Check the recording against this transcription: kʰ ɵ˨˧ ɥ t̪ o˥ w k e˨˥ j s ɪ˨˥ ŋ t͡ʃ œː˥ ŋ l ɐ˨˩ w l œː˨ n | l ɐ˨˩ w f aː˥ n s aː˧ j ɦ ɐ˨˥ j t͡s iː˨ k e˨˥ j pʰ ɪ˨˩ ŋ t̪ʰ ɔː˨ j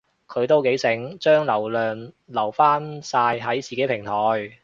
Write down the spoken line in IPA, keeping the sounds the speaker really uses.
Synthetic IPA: kʰ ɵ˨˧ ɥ t̪ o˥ w k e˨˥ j s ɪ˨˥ ŋ t͡ʃ œː˥ ŋ l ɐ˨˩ w l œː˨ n | l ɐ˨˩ w f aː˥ n s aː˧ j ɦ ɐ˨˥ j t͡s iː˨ k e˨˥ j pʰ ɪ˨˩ ŋ t̪ʰ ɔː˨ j